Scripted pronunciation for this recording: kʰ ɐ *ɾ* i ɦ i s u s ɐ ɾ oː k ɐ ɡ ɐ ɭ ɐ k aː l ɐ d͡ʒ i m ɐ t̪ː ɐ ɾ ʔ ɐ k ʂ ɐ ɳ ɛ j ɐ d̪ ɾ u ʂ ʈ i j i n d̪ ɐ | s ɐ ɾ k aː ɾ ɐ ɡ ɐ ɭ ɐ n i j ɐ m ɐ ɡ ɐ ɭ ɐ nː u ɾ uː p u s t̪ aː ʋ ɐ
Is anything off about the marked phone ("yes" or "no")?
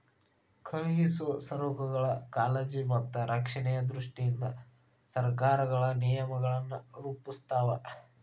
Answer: yes